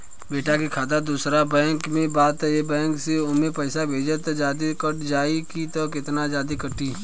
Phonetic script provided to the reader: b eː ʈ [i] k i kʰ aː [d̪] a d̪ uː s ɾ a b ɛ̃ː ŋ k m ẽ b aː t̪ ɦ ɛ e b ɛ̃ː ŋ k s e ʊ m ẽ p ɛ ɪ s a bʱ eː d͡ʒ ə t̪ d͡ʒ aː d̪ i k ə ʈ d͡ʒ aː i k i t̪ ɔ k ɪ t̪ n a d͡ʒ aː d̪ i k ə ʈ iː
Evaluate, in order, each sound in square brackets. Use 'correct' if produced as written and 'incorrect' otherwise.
incorrect: a, correct

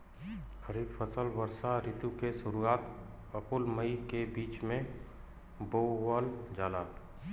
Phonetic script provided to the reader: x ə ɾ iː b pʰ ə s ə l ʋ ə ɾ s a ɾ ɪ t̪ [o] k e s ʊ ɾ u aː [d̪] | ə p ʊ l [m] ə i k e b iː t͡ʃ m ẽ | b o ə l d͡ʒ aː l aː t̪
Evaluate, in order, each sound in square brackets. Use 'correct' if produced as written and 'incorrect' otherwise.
incorrect: u, incorrect: t̪, correct

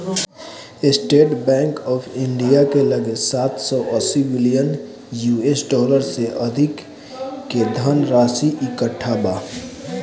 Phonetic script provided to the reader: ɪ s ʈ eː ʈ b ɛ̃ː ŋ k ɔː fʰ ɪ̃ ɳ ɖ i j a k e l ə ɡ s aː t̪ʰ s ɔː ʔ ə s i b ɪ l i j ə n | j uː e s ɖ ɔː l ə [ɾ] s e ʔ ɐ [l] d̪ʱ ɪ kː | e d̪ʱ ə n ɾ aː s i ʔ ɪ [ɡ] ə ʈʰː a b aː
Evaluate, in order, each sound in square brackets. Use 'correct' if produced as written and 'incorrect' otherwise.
correct, incorrect: none, incorrect: k

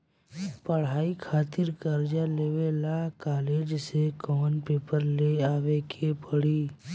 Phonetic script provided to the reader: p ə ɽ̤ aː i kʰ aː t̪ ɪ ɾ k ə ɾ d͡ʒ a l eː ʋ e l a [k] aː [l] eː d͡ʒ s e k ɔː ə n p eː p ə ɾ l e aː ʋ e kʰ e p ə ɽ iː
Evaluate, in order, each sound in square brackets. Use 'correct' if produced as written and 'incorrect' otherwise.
correct, correct

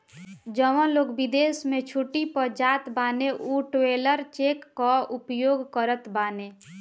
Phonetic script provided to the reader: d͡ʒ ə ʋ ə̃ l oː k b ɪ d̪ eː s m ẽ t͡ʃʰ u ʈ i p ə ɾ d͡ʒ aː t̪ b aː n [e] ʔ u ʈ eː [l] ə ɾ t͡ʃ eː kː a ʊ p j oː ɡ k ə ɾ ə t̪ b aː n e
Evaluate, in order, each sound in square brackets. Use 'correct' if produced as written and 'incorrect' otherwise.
correct, correct

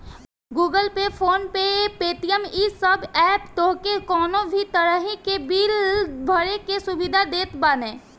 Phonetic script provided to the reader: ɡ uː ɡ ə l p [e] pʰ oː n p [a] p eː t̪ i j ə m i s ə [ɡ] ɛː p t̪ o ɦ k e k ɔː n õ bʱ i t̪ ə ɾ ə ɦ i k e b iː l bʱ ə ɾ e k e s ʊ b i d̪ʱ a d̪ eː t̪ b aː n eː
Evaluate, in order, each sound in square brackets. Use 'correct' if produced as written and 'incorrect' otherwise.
correct, incorrect: e, incorrect: b

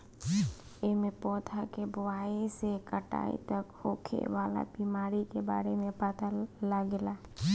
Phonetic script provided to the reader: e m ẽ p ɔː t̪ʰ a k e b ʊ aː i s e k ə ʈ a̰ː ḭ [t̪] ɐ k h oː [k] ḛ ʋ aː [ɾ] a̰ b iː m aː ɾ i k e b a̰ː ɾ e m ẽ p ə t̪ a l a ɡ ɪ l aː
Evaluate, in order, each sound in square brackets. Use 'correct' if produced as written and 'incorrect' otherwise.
correct, incorrect: kʰ, incorrect: l

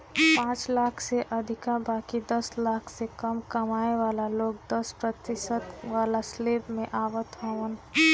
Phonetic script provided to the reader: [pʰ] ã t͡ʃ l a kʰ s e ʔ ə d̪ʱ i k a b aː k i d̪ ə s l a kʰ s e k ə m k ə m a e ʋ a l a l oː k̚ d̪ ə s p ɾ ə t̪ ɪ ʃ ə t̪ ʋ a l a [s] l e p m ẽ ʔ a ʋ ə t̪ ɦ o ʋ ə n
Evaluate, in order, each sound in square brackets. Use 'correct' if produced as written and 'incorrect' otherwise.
incorrect: p, correct

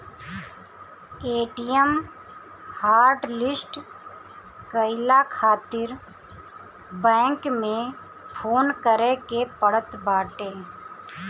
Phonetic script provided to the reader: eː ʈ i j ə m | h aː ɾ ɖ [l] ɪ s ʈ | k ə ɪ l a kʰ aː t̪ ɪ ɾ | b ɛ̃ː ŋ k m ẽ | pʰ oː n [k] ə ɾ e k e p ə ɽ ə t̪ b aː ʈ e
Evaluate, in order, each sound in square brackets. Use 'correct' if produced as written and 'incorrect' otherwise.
correct, correct

